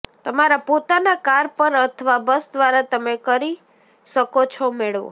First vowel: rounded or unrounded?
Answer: unrounded